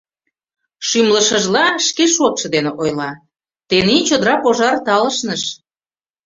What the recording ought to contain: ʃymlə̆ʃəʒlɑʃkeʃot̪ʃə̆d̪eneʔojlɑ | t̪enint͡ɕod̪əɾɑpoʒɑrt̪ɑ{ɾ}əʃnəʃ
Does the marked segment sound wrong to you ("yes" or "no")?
yes